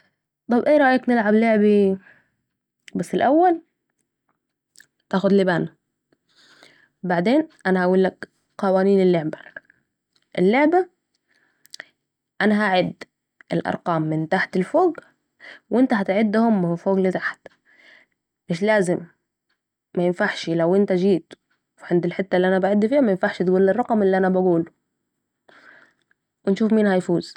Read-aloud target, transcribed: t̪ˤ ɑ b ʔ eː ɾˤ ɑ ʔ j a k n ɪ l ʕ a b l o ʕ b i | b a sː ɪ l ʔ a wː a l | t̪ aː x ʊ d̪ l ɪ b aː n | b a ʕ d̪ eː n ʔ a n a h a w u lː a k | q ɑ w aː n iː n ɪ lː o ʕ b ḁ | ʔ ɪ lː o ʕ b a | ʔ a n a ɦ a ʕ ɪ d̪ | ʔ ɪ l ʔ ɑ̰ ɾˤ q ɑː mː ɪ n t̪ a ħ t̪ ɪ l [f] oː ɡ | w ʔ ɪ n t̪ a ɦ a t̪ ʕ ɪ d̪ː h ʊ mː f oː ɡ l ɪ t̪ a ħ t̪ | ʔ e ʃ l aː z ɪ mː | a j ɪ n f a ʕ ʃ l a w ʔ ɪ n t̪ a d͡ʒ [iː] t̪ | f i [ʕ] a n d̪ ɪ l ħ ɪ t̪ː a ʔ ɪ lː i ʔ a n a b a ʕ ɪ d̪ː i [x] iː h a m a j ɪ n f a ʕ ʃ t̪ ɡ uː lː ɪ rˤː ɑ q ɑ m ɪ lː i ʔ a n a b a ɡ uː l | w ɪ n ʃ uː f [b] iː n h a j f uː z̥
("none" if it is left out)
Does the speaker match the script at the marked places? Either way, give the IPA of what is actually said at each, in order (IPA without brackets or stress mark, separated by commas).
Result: f, iː, ʕ, f, m